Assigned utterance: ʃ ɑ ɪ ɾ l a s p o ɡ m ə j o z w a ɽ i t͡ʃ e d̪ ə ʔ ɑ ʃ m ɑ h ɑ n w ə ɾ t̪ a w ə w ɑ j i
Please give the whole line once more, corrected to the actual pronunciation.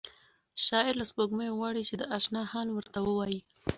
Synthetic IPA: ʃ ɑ ɪ ɾ l a s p o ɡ m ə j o ɣ w ɑ ɽ i t͡ʃ e d̪ ə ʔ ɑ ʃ n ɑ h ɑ n w ə ɾ t̪ a w ə w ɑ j i